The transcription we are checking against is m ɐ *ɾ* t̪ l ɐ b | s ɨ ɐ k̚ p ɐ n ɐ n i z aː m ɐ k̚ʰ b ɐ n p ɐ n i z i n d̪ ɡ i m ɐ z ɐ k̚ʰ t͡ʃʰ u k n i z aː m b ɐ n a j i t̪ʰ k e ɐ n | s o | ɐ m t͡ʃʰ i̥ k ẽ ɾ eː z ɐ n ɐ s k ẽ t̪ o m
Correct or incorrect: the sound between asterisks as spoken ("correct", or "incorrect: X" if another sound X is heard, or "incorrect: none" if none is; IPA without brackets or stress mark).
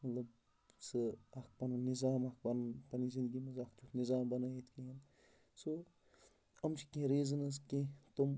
incorrect: none